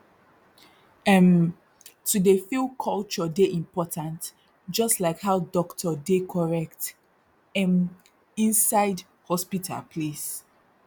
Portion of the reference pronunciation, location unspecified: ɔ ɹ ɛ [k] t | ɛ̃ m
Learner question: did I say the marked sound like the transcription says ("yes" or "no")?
yes